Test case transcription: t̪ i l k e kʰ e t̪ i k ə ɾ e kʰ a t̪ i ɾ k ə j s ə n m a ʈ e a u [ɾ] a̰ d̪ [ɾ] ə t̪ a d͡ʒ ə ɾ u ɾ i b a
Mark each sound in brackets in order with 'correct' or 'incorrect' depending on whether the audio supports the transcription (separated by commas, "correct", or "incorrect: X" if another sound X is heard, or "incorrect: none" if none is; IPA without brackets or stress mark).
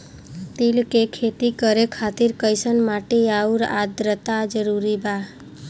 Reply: correct, correct